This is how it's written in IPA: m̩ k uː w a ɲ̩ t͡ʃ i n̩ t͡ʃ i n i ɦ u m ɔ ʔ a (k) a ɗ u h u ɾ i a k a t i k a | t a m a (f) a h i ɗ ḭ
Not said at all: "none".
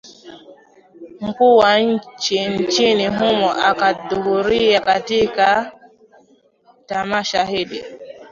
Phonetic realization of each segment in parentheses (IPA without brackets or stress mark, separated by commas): k, ʃ